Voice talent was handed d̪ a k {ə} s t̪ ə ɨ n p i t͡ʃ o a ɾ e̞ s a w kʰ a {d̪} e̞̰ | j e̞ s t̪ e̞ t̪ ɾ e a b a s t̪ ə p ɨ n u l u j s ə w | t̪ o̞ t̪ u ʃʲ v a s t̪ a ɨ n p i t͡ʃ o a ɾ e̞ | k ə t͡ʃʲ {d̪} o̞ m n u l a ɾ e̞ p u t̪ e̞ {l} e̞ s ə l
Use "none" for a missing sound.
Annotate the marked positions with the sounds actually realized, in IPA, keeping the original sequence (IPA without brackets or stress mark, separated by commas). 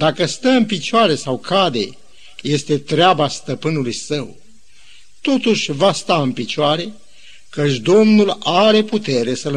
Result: ə, d̪, d̪, ɾ